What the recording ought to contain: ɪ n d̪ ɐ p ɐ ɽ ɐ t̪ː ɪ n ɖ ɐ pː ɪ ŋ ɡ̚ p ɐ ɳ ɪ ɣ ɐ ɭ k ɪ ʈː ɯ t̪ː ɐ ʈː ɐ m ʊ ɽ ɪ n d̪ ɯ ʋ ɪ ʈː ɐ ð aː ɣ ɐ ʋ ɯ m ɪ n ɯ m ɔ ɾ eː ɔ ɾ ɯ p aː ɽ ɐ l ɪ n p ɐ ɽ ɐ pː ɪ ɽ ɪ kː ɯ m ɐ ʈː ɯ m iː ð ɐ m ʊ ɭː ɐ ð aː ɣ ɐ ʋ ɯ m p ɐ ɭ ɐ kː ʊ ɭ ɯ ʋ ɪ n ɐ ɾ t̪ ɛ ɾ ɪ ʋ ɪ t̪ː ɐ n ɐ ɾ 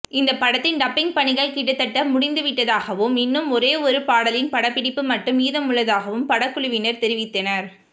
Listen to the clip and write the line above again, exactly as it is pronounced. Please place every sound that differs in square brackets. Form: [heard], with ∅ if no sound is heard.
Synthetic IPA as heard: ɪ n d̪ ɐ p ɐ ɽ ɐ t̪ː ɪ n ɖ ɐ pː ɪ ŋ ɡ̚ p ɐ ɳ ɪ ɣ ɐ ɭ k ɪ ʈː ɯ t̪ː ɐ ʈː ɐ m ʊ ɽ ɪ n d̪ ɯ ʋ ɪ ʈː ɐ ð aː ɣ ɐ ʋ ɯ m ɪ [nː] ɯ m ɔ ɾ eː ɔ ɾ ɯ p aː ɽ ɐ l ɪ n p ɐ ɽ ɐ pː ɪ ɽ ɪ [pː] ɯ m ɐ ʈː ɯ m iː ð ɐ m ʊ ɭː ɐ ð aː ɣ ɐ ʋ ɯ m p ɐ [ɽ] ɐ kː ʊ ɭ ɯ ʋ ɪ n ɐ ɾ t̪ ɛ ɾ ɪ ʋ ɪ t̪ː ɐ n ɐ ɾ

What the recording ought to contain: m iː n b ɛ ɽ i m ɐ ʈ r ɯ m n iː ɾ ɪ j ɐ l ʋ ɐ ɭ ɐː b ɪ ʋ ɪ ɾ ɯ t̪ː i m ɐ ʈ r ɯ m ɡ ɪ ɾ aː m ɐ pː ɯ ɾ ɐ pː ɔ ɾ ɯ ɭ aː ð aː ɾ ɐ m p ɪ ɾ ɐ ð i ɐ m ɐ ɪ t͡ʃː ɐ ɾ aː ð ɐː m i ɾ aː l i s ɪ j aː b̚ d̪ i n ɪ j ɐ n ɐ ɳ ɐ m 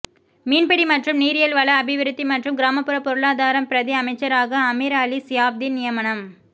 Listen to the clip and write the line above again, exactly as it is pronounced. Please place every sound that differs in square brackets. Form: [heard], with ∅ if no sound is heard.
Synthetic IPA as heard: m iː n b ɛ ɽ i m ɐ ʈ r ɯ m n iː ɾ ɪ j ɐ l ʋ ɐ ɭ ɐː b ɪ ʋ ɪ ɾ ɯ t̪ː i m ɐ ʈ r ɯ m ɡ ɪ ɾ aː m ɐ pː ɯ ɾ ɐ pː ɔ ɾ ɯ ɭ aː ð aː ɾ ɐ m p ɪ ɾ ɐ ð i ɐ m ɐ ɪ t͡ʃː ɐ ɾ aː [ɣ] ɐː m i ɾ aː l i s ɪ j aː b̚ d̪ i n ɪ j ɐ [m] ɐ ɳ ɐ m

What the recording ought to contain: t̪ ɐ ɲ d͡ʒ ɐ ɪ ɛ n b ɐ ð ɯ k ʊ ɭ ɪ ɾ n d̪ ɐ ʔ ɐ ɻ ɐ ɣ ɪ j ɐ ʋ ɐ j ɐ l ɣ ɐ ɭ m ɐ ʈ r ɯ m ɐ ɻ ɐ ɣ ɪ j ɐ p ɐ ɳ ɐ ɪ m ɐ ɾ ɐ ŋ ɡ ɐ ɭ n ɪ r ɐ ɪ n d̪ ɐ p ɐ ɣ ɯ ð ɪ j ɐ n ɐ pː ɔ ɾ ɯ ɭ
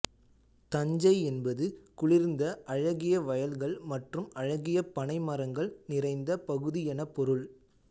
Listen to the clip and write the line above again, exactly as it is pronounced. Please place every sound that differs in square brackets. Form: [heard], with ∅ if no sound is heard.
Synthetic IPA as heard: t̪ ɐ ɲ d͡ʒ ɐ ɪ ɛ n b ɐ ð ɯ k ʊ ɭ ɪ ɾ n d̪ ɐ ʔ ɐ ɻ ɐ ɣ ɪ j ɐ ʋ ɐ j ɐ l ɣ ɐ ɭ m ɐ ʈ r ɯ m ɐ ɻ ɐ ɣ ɪ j ɐ p ɐ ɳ ɐ ɪ m ɐ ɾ ɐ ŋ ɡ ɐ ɭ n ɪ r ɐ ɪ n d̪ ɐ p ɐ ɣ ɯ ð ɪ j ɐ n ɐ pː ɔ ɾ ɯ ɭ

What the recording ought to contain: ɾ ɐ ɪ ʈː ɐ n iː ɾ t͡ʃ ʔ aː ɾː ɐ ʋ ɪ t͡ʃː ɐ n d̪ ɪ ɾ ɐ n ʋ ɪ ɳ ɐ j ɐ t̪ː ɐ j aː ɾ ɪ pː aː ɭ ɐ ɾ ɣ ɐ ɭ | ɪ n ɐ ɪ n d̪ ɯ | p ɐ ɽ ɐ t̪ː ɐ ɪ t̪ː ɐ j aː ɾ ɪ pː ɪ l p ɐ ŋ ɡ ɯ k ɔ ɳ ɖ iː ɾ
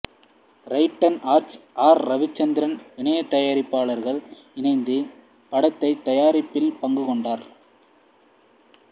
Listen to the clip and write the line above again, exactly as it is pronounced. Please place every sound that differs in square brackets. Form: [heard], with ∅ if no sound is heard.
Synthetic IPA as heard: ɾ ɐ ɪ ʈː ɐ n [aː] ɾ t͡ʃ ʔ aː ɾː ɐ ʋ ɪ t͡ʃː ɐ n d̪ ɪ ɾ ɐ n ʋ ɪ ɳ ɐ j ɐ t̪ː ɐ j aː ɾ ɪ pː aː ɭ ɐ ɾ ɣ ɐ ɭ | ɪ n ɐ ɪ n d̪ ɯ | p ɐ ɽ ɐ t̪ː ɐ ɪ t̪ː ɐ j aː ɾ ɪ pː ɪ l p ɐ ŋ ɡ ɯ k ɔ ɳ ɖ [aː] ɾ

